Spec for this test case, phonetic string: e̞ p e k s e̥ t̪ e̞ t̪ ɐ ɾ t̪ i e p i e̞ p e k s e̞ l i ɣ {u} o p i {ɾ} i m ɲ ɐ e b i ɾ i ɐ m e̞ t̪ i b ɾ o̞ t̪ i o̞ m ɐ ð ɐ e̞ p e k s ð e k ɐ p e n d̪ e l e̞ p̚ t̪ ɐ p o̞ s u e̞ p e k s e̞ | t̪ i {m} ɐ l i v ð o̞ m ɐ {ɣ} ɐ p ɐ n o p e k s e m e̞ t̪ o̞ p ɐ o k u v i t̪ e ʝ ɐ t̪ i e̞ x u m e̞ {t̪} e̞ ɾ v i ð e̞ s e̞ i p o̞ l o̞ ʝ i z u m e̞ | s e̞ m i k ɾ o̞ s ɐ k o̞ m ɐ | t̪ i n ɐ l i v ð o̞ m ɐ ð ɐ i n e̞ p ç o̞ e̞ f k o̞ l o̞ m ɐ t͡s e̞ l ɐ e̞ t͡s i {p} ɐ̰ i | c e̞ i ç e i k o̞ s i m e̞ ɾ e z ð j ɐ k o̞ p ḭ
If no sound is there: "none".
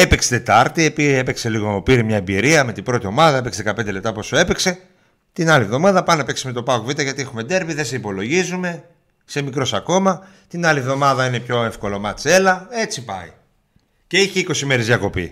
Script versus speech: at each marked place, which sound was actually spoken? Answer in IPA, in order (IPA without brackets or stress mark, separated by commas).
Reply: o, ɾ, n, ð, d̪, p